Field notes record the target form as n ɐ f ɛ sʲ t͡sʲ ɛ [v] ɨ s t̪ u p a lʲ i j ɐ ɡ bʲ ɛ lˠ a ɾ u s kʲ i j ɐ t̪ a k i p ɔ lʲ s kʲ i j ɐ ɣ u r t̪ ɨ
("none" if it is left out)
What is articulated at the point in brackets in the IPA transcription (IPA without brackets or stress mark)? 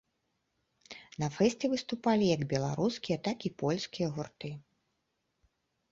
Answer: v